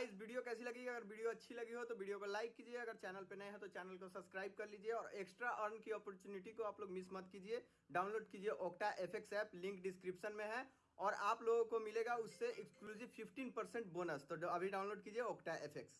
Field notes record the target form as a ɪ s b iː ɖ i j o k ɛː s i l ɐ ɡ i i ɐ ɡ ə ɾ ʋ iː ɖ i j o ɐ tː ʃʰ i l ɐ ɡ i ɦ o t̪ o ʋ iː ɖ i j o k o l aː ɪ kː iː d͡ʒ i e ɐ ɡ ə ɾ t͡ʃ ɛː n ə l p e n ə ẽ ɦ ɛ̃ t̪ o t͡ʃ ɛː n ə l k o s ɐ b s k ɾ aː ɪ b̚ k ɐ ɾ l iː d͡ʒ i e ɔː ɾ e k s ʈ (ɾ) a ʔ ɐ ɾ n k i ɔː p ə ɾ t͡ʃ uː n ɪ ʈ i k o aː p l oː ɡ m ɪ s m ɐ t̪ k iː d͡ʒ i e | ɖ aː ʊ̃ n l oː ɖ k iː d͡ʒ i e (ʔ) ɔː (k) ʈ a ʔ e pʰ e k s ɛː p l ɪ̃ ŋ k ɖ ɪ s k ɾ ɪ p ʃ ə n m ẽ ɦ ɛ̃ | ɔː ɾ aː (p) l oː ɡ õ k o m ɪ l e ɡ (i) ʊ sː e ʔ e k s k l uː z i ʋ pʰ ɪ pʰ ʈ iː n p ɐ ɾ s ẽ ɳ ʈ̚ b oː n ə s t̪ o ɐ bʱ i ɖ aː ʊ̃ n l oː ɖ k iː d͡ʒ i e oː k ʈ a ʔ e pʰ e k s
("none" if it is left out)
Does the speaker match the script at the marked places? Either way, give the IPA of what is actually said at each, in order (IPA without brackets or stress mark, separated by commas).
ɾ, ʔ, k, p, a